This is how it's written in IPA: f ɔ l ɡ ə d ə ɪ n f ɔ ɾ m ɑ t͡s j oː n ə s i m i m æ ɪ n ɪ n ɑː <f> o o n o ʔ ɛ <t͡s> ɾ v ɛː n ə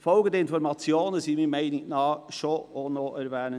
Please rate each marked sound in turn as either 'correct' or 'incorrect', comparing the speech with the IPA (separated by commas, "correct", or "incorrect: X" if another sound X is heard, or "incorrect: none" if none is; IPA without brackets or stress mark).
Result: incorrect: ʃ, incorrect: none